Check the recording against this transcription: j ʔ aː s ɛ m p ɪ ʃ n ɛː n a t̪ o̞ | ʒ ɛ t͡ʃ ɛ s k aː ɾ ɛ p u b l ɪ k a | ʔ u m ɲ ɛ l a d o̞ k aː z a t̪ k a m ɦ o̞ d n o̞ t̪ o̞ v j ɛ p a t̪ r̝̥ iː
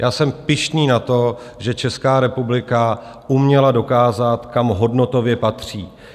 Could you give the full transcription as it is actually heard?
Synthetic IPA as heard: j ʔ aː s ɛ m p ɪ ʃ n iː n a t̪ o̞ | ʒ ɛ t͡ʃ ɛ s k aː ɾ ɛ p u b l ɪ k a | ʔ u m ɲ ɛ l a d o̞ k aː z a t̪ k a m ɦ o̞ d n o̞ t̪ o̞ v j ɛ p a t̪ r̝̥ iː